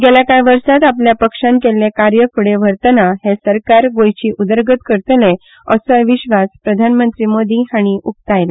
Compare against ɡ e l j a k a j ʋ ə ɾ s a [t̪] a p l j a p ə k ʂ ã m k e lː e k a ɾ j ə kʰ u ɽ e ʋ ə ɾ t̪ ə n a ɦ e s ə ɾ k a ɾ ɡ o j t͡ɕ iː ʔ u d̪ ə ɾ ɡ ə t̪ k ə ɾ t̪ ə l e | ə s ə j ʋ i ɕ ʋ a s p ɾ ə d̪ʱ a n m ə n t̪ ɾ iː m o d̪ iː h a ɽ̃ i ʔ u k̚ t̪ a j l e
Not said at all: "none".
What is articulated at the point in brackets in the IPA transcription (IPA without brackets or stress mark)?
t̪